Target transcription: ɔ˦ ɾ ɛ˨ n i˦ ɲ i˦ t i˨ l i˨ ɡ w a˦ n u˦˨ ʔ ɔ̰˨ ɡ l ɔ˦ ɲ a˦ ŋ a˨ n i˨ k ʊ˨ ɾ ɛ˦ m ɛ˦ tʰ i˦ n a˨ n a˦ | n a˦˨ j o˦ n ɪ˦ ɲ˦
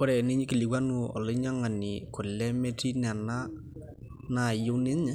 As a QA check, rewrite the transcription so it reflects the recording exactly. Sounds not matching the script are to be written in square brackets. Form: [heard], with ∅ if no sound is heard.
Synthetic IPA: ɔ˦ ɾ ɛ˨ n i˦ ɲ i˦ [k] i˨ l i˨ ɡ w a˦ n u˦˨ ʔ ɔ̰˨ [∅] l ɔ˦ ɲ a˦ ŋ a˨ n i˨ k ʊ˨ [l] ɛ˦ m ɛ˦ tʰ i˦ n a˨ n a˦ | n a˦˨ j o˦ n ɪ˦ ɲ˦

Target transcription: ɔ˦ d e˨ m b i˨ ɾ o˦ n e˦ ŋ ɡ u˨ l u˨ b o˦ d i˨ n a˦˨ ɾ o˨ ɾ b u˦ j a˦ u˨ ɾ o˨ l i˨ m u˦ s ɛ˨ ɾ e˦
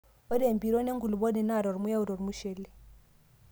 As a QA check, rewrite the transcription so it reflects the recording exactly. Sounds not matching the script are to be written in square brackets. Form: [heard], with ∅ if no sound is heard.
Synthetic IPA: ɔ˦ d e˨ m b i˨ ɾ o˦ n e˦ ŋ ɡ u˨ l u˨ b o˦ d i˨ n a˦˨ ɾ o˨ ɾ [m] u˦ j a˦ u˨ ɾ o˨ [ɾ] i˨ m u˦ [ʃ] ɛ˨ [l] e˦

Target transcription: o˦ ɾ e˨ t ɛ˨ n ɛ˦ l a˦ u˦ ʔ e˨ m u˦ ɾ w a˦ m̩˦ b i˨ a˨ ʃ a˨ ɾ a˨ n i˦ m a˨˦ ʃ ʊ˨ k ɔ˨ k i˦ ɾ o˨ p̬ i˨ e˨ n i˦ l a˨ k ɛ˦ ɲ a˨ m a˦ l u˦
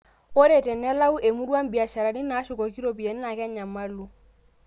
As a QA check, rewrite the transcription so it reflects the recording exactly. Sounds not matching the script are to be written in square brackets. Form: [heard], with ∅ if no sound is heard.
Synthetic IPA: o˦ ɾ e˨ t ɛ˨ n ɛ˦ l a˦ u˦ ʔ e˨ m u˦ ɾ w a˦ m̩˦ b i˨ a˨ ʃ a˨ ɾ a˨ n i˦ [n] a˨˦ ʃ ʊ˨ k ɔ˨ k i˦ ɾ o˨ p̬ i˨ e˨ n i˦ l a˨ k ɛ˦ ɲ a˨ m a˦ l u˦

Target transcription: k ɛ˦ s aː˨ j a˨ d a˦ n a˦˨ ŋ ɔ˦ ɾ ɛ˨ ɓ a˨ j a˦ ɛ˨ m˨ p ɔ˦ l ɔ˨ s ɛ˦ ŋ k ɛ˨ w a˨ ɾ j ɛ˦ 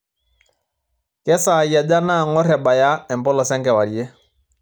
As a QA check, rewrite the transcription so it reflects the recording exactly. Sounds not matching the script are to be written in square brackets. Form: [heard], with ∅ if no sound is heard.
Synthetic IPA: k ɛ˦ s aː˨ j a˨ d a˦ n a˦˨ ŋ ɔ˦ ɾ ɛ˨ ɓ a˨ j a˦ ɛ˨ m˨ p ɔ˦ l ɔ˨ s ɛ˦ ŋ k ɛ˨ w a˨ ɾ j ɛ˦

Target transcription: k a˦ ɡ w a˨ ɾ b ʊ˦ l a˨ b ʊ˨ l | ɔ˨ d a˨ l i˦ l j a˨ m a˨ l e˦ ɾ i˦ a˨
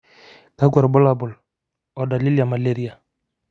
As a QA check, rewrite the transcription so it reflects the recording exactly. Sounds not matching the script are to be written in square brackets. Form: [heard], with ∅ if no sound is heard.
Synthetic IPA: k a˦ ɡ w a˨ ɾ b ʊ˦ l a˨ b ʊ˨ l | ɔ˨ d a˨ l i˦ l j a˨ m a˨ l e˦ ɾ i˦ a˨

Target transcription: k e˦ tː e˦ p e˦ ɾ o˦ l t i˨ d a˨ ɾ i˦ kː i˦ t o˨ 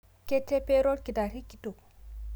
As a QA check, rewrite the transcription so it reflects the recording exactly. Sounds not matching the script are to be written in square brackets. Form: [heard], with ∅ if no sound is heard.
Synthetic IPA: k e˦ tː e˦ p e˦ ɾ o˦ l [k] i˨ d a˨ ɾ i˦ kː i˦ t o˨

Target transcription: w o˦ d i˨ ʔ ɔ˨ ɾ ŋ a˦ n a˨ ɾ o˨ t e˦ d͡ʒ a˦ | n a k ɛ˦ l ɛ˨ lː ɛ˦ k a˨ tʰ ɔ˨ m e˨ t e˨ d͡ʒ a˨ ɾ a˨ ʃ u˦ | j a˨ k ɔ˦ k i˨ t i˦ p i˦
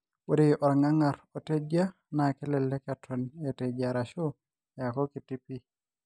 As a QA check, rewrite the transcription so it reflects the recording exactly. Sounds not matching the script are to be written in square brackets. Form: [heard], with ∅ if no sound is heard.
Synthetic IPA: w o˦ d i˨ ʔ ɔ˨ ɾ ŋ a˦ [ŋ] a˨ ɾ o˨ t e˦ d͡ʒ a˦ | n a k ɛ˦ l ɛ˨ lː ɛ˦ k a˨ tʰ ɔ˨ [n] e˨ t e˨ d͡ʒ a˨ ɾ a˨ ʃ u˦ | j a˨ k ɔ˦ k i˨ t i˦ p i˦

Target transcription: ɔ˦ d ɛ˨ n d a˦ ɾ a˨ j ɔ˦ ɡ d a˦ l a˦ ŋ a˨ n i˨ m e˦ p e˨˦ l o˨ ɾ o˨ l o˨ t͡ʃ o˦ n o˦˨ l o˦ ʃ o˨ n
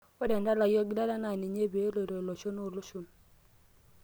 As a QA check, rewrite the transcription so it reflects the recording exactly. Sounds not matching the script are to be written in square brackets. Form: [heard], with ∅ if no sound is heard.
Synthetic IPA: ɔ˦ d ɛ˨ n d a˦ [l] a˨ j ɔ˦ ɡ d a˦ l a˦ [n] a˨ n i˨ [ɲ] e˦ [b] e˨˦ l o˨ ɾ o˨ l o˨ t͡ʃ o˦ n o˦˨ l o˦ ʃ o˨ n

